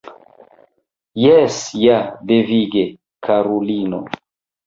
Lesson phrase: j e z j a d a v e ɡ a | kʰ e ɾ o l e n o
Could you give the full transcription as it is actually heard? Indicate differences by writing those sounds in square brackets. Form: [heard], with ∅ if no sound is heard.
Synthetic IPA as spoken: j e [s] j a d [e] v [i] ɡ [e] | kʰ [a] ɾ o l [i] n o